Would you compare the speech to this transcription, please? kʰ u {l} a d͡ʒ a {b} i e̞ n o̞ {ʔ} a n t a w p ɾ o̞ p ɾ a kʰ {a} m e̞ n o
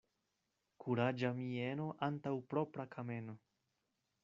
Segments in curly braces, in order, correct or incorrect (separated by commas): incorrect, incorrect, correct, correct